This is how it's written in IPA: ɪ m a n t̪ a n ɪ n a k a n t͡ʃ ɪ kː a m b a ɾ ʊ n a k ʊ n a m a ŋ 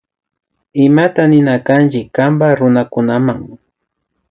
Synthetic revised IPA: ɪ m a t̪ a n ɪ n a k a n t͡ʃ ɪ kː a m b a ɾ ʊ n a k ʊ n a m a ŋ